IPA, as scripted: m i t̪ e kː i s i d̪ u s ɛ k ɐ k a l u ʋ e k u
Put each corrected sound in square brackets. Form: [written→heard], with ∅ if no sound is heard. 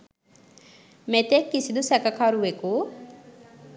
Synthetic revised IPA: m [i→e] t̪ e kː i s i d̪ u s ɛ k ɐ k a [l→ɾ] u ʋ e k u